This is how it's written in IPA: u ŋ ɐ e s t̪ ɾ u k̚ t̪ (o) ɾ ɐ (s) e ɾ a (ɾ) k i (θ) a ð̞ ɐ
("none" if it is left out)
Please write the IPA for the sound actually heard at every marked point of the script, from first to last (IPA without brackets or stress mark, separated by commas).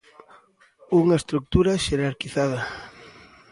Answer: u, ʃ, ɾ, θ